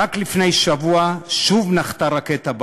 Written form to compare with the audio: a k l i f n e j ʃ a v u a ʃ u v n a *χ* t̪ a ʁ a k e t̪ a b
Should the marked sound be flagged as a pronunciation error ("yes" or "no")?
no